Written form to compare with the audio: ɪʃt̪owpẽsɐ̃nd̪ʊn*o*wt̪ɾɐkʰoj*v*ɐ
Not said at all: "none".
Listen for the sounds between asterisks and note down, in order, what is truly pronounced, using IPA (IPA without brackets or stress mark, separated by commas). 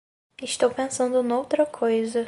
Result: o, z